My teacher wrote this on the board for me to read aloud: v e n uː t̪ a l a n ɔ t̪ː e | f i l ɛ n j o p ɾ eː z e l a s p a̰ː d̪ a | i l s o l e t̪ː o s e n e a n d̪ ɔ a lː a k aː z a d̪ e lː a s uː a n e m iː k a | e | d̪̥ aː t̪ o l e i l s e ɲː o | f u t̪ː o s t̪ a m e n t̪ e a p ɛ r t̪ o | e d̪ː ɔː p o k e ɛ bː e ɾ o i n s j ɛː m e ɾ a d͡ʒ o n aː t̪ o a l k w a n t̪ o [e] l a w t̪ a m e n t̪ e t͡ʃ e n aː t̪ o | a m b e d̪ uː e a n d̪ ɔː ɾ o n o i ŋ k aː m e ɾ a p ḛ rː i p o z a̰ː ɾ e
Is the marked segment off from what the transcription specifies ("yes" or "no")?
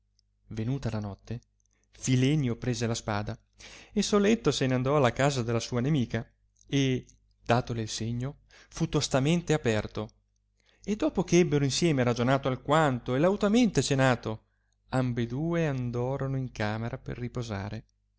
no